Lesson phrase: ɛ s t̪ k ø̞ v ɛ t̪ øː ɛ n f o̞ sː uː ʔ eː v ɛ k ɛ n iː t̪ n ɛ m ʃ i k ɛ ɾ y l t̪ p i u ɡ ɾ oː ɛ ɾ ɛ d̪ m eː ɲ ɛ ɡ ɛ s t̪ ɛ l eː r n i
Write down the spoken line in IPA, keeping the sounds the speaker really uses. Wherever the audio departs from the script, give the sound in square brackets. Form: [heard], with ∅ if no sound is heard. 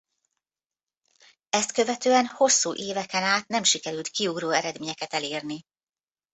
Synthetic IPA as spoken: ɛ s t̪ k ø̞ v ɛ t̪ øː ɛ n [h] o̞ sː uː ʔ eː v ɛ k ɛ n [aː] t̪ n ɛ m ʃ i k ɛ ɾ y l t̪ [k] i u ɡ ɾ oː ɛ ɾ ɛ d̪ m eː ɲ ɛ [k] ɛ [∅] t̪ ɛ l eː r n i